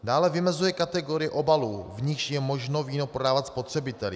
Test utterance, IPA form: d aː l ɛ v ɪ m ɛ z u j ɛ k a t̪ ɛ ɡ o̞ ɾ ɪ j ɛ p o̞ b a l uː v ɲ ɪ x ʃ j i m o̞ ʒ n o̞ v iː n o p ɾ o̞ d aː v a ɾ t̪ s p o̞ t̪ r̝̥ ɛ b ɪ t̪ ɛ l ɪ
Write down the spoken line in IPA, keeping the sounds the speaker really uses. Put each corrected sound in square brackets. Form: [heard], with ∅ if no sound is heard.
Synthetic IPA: d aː l ɛ v ɪ m ɛ z u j ɛ k a t̪ ɛ ɡ o̞ ɾ ɪ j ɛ [ʔ] o̞ b a l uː v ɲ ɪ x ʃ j [ɛ] m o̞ ʒ n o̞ v iː n o p ɾ o̞ d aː v a [∅] t̪ s p o̞ t̪ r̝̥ ɛ b ɪ t̪ ɛ l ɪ